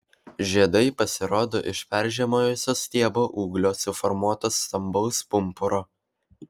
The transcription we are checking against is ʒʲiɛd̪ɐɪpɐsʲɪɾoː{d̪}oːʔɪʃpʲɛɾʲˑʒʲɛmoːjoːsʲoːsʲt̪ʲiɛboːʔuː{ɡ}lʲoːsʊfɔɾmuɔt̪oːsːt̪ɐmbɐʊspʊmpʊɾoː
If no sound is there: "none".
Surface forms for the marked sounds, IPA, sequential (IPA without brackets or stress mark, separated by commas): d̪, ɡ